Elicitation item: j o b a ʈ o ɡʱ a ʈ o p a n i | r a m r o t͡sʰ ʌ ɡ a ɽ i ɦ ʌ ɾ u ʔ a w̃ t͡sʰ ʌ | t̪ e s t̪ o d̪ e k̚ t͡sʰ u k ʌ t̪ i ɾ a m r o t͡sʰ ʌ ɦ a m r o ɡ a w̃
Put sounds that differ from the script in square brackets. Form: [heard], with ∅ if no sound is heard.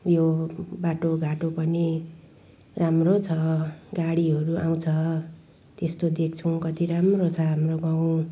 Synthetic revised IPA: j o b a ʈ o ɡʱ a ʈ o p [ʌ] n i | r a m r o t͡sʰ ʌ ɡ a ɽ i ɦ ʌ ɾ u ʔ a w̃ t͡sʰ ʌ | t̪ e s t̪ o d̪ e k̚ t͡sʰ u k ʌ t̪ i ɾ a m r o t͡sʰ ʌ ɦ a m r o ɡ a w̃